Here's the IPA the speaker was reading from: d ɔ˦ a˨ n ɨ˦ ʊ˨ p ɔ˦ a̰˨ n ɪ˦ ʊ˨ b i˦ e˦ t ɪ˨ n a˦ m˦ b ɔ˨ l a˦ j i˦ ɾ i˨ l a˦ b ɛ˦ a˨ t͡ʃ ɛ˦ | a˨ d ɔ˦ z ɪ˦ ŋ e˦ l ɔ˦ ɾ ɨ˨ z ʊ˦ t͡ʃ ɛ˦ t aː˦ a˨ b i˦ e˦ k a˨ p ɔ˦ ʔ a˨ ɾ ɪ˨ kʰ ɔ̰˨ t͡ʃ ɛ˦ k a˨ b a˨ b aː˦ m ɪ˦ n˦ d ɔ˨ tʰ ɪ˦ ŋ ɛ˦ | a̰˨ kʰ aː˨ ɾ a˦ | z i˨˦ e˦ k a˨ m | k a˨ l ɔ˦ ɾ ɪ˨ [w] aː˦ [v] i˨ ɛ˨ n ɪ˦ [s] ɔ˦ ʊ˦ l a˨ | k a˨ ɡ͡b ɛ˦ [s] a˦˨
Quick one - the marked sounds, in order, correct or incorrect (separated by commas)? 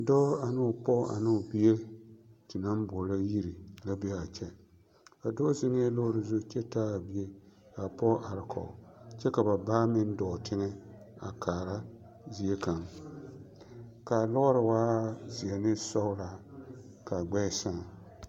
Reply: correct, incorrect, correct, correct